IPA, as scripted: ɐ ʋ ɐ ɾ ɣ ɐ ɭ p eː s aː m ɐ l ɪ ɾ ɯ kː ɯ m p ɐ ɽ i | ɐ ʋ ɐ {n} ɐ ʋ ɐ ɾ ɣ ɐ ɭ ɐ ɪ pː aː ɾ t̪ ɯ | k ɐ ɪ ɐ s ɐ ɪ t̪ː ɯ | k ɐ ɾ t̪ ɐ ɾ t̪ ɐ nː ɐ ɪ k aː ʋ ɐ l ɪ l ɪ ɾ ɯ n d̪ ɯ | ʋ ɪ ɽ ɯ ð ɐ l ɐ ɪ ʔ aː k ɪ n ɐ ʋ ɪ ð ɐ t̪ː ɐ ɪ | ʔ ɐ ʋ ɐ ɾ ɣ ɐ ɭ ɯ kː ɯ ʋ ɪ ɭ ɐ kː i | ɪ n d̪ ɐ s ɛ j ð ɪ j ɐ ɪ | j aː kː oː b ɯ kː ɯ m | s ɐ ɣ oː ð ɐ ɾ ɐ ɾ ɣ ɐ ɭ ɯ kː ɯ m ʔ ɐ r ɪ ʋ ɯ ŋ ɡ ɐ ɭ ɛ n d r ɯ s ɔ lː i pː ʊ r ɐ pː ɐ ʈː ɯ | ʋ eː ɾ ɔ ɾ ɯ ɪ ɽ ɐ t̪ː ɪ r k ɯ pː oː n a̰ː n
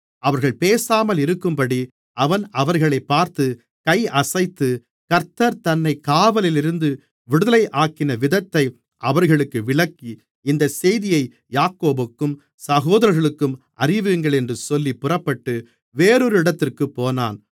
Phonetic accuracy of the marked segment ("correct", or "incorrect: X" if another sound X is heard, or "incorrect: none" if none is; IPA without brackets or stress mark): correct